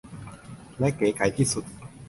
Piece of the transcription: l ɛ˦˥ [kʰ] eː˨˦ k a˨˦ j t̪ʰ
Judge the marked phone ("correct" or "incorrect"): incorrect